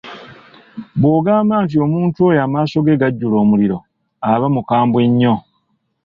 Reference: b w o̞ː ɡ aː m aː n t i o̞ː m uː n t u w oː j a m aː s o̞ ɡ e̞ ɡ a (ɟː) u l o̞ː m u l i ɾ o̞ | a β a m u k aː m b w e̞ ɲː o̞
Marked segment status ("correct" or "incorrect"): correct